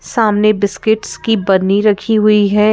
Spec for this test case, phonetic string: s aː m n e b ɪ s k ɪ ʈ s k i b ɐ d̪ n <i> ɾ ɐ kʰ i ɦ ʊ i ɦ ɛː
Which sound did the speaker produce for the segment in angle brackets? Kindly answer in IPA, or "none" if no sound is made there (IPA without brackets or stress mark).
i